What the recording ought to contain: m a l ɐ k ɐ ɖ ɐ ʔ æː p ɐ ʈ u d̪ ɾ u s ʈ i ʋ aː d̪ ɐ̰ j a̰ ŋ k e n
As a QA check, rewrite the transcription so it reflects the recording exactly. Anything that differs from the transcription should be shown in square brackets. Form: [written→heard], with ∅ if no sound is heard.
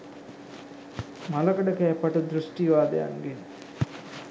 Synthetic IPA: m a l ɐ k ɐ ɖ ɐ [ʔ→k] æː p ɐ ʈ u d̪ ɾ u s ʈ i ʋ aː d̪ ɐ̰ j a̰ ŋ [k→ɡ] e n